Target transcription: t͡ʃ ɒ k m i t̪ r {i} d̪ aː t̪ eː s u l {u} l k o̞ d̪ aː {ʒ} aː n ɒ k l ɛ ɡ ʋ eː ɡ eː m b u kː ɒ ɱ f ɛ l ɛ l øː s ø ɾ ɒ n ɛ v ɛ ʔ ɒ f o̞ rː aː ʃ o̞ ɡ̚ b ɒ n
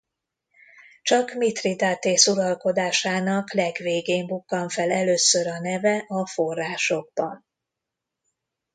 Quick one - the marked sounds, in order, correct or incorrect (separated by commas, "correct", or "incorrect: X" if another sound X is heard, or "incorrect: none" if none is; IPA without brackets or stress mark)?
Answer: correct, incorrect: ɒ, incorrect: ʃ